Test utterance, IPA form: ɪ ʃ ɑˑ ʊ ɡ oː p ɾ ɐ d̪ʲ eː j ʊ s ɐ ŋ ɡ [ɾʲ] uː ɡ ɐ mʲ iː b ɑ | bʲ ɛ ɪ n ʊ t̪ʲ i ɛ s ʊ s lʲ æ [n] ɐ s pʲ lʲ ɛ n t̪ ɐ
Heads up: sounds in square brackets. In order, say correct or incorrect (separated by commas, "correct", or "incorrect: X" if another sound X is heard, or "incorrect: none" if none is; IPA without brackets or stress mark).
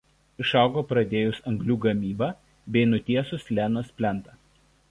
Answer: incorrect: lʲ, correct